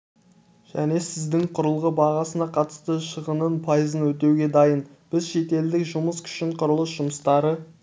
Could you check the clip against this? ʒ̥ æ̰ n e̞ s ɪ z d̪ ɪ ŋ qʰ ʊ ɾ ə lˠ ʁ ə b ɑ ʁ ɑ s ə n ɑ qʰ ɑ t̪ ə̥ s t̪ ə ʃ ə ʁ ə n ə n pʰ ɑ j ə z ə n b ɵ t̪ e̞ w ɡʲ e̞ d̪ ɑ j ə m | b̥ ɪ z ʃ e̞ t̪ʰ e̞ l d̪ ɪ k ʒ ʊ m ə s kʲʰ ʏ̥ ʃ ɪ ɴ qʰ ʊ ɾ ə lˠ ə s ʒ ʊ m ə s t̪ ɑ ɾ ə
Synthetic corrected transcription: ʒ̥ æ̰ n e̞ s ɪ z d̪ ɪ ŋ qʰ ʊ ɾ ə lˠ ʁ ə b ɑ ʁ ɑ s ə n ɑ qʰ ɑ t̪ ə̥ s t̪ ə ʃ ə ʁ ə n ə n pʰ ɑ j ə z ə n w ɵ t̪ e̞ w ɡʲ e̞ d̪ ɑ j ə n | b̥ ɪ z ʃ e̞ t̪ e̞ l d̪ ɪ k ʒ ʊ m ə s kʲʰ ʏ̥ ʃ ɪ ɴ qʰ ʊ ɾ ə lˠ ə s ʒ ʊ m ə s t̪ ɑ ɾ ə